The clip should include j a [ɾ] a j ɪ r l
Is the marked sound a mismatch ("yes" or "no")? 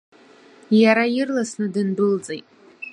no